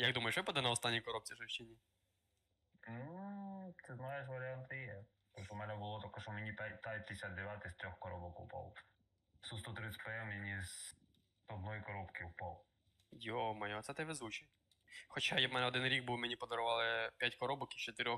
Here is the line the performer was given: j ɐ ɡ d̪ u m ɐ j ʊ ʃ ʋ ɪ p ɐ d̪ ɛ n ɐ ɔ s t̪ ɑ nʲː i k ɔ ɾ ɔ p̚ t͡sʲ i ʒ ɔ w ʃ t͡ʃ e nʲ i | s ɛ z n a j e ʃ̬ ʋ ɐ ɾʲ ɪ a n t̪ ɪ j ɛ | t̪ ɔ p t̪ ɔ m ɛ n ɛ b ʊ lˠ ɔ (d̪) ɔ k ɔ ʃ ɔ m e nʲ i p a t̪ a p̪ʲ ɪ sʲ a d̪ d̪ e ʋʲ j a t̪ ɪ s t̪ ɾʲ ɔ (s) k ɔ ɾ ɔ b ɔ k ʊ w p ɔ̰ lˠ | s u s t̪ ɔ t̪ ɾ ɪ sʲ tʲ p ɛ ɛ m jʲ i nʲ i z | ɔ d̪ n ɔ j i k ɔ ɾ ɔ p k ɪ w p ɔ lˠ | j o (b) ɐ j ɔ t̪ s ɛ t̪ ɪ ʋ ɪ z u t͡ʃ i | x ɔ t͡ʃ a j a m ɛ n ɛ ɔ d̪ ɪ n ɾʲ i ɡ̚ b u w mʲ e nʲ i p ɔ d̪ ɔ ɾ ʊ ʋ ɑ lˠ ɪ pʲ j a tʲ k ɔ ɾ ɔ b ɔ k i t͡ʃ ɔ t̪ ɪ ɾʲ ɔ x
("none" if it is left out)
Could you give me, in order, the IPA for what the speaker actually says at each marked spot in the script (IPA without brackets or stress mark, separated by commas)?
t̪, x, m